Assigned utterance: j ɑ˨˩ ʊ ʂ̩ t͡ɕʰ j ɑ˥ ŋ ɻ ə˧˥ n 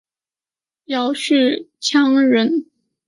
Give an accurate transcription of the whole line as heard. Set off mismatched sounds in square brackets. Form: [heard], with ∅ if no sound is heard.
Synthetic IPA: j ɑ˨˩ ʊ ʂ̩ t͡ɕʰ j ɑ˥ ŋ ɻ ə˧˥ n

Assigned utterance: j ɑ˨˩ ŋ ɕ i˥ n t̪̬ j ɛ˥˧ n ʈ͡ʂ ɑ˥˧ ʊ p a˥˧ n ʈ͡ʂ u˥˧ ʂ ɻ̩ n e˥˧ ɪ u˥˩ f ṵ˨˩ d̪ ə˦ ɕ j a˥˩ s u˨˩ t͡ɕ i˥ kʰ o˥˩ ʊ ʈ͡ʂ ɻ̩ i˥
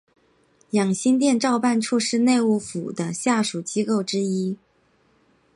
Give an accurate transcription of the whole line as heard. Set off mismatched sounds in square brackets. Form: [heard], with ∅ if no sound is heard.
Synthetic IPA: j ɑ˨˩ ŋ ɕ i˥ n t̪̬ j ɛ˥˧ n ʈ͡ʂ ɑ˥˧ ʊ p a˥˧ n [ʈ͡ʂʰ] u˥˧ ʂ ɻ̩ n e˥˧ ɪ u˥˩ f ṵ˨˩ d̪ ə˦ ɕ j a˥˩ [ʂ] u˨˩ t͡ɕ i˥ [k] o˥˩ ʊ ʈ͡ʂ ɻ̩ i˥

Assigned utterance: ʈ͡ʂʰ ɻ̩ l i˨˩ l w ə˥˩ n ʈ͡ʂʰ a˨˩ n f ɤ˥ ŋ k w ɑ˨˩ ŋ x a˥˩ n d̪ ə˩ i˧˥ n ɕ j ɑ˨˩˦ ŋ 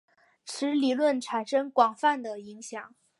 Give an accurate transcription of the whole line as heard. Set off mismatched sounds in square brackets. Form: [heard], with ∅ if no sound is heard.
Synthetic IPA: ʈ͡ʂʰ ɻ̩ l i˨˩ l w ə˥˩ n ʈ͡ʂʰ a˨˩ n [ʂ] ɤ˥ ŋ k w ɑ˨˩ ŋ [f] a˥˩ n d̪ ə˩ i˧˥ [ŋ] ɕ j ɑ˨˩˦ ŋ

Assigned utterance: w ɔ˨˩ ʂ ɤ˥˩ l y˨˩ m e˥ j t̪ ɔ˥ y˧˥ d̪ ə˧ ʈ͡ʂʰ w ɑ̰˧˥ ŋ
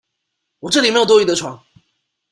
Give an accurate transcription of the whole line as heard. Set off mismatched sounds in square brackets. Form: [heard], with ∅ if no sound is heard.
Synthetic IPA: w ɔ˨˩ [ʈ͡ʂ] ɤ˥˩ l [i˨˩] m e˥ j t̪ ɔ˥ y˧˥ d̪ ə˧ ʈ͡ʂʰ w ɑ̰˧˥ ŋ

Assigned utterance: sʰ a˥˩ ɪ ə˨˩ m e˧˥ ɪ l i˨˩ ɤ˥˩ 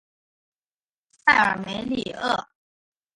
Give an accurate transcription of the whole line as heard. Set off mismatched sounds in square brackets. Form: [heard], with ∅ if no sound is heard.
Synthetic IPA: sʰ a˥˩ ɪ ə˨˩ m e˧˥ ɪ l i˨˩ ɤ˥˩

